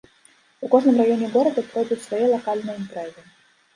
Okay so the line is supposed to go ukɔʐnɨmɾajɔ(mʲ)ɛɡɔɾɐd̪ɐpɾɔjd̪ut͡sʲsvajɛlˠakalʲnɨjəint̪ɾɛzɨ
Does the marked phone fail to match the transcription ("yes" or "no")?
yes